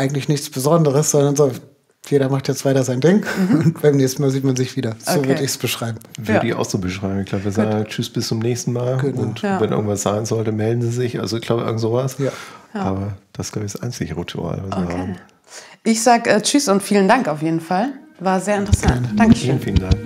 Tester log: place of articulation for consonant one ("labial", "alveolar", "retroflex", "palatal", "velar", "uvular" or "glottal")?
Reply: glottal